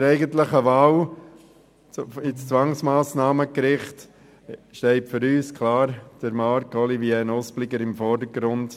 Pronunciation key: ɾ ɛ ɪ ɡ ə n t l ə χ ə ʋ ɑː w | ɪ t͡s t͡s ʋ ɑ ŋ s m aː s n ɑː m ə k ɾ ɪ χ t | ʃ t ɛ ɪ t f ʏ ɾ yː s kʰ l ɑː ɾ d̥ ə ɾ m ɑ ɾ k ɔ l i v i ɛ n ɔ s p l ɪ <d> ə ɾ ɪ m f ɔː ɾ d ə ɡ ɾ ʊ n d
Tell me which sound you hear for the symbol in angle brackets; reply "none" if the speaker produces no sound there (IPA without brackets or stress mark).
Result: ɡ